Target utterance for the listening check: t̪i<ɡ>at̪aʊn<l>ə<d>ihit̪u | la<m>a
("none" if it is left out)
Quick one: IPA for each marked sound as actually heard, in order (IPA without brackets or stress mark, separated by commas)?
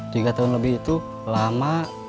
ɡ, l, b, m